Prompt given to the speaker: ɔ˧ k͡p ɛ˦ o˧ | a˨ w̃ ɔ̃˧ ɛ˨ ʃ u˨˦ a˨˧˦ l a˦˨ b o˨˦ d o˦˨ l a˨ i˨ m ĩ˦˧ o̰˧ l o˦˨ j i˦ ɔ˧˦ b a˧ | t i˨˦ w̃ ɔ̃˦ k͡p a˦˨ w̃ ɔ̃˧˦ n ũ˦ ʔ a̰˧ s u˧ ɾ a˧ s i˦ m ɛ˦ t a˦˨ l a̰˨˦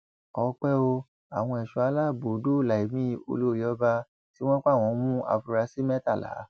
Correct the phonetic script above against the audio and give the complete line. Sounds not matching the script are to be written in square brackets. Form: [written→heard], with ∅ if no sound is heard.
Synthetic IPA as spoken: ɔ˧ k͡p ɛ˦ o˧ | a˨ w̃ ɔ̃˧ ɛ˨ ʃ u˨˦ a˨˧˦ l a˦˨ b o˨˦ d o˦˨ l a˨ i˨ m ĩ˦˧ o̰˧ l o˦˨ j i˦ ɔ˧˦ b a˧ | t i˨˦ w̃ ɔ̃˦ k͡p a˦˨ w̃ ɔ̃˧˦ [n→m] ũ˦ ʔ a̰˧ [s→f] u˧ ɾ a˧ s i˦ m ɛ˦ t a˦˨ l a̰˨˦